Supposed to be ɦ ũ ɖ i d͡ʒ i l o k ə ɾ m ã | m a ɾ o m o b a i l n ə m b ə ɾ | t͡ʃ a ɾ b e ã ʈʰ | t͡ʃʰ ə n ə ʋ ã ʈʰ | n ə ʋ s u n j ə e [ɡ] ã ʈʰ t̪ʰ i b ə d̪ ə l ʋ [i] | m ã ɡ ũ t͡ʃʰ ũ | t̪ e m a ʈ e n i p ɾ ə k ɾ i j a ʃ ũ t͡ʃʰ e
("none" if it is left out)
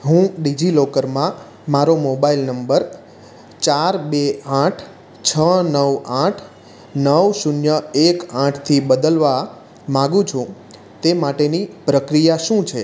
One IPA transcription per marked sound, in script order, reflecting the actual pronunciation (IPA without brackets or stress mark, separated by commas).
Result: k, a